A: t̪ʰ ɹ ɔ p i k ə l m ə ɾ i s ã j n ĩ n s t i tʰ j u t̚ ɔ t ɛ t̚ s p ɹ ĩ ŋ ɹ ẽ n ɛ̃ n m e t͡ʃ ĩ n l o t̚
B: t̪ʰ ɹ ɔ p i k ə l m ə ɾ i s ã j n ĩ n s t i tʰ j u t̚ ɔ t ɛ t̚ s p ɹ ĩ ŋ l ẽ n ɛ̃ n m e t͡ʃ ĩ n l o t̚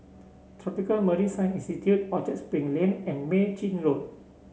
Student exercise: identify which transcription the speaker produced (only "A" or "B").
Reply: B